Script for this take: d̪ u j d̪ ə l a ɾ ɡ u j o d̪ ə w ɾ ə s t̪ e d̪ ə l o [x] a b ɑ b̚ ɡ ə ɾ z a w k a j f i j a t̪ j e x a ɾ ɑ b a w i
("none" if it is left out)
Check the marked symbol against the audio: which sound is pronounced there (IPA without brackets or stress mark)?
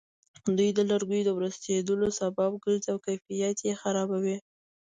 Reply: s